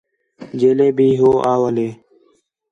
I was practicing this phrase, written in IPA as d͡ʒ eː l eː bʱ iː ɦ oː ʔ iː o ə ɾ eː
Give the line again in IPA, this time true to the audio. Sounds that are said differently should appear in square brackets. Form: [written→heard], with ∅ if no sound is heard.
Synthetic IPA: d͡ʒ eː l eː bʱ iː ɦ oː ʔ [iː→aː] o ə [ɾ→l] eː